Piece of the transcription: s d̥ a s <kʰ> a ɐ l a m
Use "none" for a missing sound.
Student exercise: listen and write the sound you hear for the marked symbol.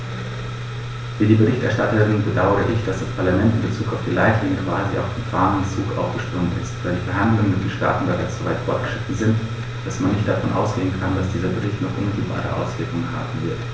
pʰ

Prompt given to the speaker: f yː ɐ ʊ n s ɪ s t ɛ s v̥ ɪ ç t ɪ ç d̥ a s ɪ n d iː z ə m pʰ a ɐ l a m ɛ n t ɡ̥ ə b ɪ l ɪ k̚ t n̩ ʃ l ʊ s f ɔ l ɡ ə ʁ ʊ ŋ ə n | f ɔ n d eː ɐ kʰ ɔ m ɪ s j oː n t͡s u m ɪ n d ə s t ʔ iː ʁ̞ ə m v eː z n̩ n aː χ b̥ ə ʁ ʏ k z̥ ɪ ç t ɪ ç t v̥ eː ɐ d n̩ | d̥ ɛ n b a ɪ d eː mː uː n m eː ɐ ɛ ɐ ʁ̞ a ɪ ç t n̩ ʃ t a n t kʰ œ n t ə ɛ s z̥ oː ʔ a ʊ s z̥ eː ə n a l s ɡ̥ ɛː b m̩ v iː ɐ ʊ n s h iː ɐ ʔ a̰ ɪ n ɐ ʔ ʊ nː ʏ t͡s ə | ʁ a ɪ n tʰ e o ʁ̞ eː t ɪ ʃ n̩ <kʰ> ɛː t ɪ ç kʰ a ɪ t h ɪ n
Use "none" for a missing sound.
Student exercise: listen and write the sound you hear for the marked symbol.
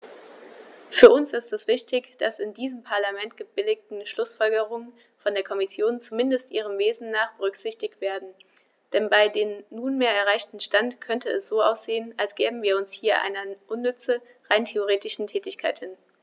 tʰ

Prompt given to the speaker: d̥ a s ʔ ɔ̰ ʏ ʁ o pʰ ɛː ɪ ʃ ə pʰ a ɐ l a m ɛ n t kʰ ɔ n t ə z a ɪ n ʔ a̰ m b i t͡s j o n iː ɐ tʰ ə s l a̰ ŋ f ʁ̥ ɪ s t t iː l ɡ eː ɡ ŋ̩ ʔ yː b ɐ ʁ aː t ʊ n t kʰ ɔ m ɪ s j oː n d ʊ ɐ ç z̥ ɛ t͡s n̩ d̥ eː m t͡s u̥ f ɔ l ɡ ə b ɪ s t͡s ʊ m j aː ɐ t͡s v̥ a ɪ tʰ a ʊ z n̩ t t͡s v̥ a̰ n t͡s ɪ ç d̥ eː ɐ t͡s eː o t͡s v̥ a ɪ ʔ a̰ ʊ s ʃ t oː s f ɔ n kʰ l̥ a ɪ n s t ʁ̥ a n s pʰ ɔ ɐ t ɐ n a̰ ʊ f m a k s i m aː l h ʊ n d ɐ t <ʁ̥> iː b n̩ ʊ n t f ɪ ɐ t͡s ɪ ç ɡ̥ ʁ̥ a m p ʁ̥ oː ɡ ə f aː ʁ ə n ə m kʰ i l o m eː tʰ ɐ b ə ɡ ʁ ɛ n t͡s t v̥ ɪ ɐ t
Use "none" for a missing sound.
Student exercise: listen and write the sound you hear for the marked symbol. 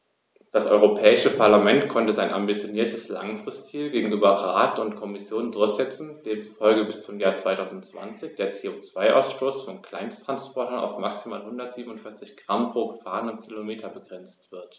z̥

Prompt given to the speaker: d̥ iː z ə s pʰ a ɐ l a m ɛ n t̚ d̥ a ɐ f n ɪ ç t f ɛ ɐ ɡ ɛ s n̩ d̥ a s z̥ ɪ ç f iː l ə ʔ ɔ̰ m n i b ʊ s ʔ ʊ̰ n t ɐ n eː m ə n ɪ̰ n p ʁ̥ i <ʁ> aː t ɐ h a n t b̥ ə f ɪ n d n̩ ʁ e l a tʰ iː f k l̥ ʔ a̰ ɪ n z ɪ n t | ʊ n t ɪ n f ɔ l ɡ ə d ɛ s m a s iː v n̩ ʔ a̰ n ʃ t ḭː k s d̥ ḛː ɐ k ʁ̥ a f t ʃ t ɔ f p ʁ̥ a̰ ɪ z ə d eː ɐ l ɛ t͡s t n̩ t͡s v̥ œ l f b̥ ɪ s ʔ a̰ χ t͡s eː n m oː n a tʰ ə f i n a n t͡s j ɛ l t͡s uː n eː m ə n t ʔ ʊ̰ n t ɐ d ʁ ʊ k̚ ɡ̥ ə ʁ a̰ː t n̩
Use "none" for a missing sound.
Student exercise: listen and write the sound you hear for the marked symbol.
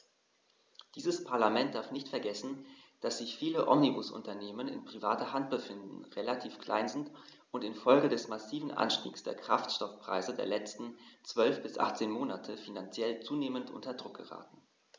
v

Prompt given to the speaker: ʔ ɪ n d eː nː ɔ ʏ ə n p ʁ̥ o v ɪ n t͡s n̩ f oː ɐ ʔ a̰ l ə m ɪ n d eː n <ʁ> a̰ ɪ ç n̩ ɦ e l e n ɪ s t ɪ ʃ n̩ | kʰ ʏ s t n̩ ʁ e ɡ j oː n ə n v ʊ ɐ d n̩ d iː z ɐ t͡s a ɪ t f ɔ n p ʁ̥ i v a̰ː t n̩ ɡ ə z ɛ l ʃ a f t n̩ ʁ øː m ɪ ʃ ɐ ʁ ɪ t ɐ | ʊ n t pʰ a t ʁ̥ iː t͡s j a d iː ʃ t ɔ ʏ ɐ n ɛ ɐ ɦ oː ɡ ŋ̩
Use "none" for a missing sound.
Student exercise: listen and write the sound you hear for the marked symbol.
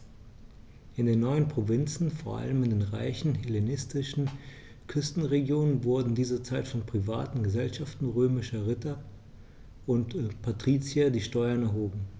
ʁ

